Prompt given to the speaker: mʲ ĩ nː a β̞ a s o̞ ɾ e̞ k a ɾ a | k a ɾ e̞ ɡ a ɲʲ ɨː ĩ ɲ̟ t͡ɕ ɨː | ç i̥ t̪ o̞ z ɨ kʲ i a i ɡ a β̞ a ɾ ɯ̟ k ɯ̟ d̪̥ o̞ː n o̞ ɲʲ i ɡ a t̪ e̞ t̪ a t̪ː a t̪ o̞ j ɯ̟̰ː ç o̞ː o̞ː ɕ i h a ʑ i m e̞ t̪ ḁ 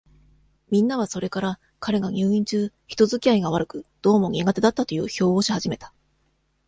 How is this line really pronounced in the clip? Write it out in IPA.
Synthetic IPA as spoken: mʲ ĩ nː a β̞ a s o̞ ɾ e̞ k a ɾ a | k a ɾ e̞ ɡ a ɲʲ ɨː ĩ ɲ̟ t͡ɕ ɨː | ç i̥ t̪ o̞ z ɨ kʲ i a i ɡ a β̞ a ɾ ɯ̟ k ɯ̟ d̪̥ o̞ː m o̞ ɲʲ i ɡ a t̪ e̞ d̪ a t̪ː a t̪ o̞ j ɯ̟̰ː ç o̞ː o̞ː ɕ i h a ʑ i m e̞ t̪ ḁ

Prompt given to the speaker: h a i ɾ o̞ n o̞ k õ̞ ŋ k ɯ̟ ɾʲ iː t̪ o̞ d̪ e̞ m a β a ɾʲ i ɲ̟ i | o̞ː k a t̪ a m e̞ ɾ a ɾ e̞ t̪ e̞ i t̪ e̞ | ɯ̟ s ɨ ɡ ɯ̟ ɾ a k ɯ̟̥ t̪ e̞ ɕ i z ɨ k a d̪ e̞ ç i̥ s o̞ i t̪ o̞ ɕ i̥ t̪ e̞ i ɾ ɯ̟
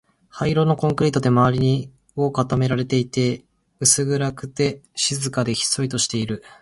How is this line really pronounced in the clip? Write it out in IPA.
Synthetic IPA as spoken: h a i ɾ o̞ n o̞ k õ̞ ŋ k ɯ̟ ɾʲ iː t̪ o̞ d̪ e̞ m a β a ɾʲ i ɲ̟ i | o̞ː k a t̪ a m e̞ ɾ a ɾ e̞ t̪ e̞ i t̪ e̞ | ɯ̟ s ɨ ɡ ɯ̟ ɾ a k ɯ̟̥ t̪ e̞ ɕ i z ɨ k a d̪ e̞ ç i̥ s o̞ i t̪ o̞ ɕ i̥ t̪ e̞ i ɾ ɯ̟

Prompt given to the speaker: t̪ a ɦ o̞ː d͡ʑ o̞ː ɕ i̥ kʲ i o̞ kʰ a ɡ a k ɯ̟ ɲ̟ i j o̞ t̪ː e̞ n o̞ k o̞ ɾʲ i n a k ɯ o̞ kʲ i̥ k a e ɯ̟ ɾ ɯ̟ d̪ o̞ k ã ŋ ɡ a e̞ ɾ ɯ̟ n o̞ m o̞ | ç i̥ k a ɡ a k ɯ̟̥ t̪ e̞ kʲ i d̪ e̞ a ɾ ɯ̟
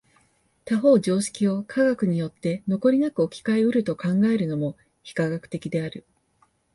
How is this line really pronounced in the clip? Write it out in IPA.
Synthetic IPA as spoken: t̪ a ɦ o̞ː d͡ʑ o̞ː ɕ i̥ kʲ i o̞ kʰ a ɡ a k ɯ̟ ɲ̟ i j o̞ t̪ː e̞ n o̞ k o̞ ɾʲ i n a k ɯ o̞ kʲ i̥ k a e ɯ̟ ɾ ɯ̟ t̪ o̞ k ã ŋ ɡ a e̞ ɾ ɯ̟ n o̞ m o̞ | ç i̥ k a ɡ a k ɯ̟̥ t̪ e̞ kʲ i d̪ e̞ a ɾ ɯ̟

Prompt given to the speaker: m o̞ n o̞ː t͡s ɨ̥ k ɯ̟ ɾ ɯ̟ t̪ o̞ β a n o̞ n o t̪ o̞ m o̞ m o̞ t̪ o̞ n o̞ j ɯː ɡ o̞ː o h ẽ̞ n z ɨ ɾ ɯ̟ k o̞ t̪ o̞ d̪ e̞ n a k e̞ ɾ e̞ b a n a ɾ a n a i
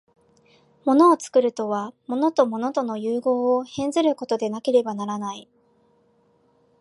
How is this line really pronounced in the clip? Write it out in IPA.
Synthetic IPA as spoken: m o̞ n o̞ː t͡s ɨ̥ k ɯ̟ ɾ ɯ̟ t̪ o̞ β a m o̞ n o t̪ o̞ m o̞ n o̞ t̪ o̞ n o̞ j ɯː ɡ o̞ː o h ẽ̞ n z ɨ ɾ ɯ̟ k o̞ t̪ o̞ d̪ e̞ n a k e̞ ɾ e̞ b a n a ɾ a n a i

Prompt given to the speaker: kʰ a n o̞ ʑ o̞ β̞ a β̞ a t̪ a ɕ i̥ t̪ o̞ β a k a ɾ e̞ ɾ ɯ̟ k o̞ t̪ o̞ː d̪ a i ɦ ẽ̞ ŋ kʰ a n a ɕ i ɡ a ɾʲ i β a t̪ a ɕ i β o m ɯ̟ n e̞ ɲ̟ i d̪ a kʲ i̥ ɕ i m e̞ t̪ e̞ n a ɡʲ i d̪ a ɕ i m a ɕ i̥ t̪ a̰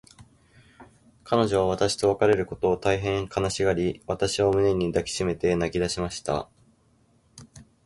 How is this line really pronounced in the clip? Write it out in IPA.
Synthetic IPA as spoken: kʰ a n o̞ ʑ o̞ β̞ a β̞ a t̪ a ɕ i̥ t̪ o̞ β a k a ɾ e̞ ɾ ɯ̟ k o̞ t̪ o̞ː t̪ a i ɦ ẽ̞ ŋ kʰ a n a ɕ i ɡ a ɾʲ i β a t̪ a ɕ i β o m ɯ̟ n e̞ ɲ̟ i d̪ a kʲ i̥ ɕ i m e̞ t̪ e̞ n a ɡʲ i d̪ a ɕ i m a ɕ i̥ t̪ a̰

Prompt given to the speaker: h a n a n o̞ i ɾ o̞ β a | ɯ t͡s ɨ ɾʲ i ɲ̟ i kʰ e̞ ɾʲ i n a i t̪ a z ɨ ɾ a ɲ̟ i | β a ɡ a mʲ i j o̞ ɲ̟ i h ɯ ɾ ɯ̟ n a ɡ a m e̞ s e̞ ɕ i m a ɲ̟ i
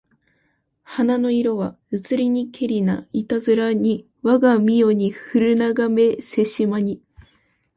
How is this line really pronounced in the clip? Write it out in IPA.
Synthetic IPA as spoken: h a n a n o̞ i ɾ o̞ β a | ɯ t͡s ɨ ɾʲ i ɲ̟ i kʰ e̞ ɾʲ i n a i t̪ a z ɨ ɾ a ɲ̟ i | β a ɡ a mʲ i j o̞ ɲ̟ i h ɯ ɾ ɯ̟ n a ɡ a m e̞ s e̞ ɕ i m a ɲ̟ i

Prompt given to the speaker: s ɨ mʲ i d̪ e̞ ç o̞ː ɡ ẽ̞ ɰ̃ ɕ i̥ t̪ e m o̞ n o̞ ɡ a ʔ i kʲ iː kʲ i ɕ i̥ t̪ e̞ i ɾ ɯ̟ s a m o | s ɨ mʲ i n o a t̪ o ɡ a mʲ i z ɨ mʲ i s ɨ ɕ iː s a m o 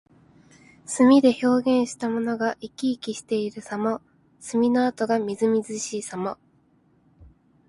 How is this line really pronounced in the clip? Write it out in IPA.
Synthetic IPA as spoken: s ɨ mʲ i d̪ e̞ ç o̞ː ɡ ẽ̞ ɰ̃ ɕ i̥ t̪ a m o̞ n o̞ ɡ a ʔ i kʲ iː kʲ i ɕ i̥ t̪ e̞ i ɾ ɯ̟ s a m o | s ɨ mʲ i n o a t̪ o ɡ a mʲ i z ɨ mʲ i z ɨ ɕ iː s a m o

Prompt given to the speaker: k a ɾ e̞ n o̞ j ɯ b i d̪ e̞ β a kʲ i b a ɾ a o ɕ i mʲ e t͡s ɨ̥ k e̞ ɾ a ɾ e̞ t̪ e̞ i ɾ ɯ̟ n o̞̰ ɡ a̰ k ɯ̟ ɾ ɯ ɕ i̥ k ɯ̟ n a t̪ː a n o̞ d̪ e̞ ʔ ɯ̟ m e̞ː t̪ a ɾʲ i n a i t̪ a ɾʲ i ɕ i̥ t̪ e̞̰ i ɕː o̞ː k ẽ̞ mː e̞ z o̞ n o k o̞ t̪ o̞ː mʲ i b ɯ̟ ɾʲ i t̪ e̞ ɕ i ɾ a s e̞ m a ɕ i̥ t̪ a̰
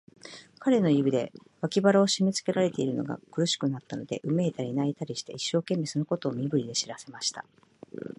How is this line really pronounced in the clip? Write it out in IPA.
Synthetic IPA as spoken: k a ɾ e̞ n o̞ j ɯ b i d̪ e̞ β a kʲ i b a ɾ a o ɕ i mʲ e t͡s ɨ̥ k e̞ ɾ a ɾ e̞ t̪ e̞ i ɾ ɯ̟ n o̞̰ ɡ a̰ k ɯ̟ ɾ ɯ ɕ i̥ k ɯ̟ n a t̪ː a n o̞ d̪ e̞ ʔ ɯ̟ m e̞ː t̪ a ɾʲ i n a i t̪ a ɾʲ i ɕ i̥ t̪ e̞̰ i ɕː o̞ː k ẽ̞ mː e̞ s o̞ n o k o̞ t̪ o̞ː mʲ i b ɯ̟ ɾʲ i d̪ e̞ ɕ i ɾ a s e̞ m a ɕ i̥ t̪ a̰

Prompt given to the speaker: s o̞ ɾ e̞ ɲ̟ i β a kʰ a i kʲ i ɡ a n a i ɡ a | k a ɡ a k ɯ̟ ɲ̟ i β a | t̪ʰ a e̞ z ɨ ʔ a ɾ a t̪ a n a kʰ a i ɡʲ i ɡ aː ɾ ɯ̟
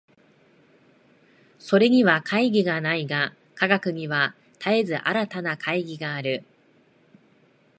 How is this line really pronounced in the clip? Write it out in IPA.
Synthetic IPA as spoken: s o̞ ɾ e̞ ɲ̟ i β a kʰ a i ɡʲ i ɡ a n a i ɡ a | k a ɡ a k ɯ̟ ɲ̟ i β a | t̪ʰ a e̞ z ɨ ʔ a ɾ a t̪ a n a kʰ a i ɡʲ i ɡ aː ɾ ɯ̟

